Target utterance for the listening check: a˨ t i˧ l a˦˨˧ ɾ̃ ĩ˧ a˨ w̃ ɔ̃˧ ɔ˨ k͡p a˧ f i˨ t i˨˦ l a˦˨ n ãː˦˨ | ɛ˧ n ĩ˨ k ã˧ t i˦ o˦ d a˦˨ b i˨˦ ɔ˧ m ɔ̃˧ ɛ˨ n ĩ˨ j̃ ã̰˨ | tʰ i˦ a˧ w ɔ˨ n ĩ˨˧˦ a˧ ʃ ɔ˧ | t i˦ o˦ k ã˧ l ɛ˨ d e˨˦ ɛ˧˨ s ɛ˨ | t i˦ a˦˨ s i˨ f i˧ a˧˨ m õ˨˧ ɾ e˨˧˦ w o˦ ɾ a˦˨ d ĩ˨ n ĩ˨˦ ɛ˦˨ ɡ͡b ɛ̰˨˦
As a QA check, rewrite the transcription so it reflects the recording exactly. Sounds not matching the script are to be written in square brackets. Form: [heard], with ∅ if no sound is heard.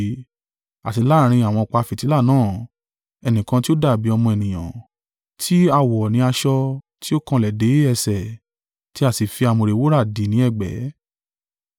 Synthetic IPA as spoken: a˨ t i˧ l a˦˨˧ ɾ̃ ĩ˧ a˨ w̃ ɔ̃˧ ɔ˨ k͡p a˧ f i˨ t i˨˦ l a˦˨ n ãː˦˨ | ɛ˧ n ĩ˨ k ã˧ t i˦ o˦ d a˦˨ b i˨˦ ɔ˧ m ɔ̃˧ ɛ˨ n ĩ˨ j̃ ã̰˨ | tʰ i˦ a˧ w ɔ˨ n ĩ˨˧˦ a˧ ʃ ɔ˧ | t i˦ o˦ k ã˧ l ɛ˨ d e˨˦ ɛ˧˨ s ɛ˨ | t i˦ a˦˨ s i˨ f i˧ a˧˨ m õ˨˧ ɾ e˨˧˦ w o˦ ɾ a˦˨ d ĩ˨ n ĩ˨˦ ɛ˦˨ ɡ͡b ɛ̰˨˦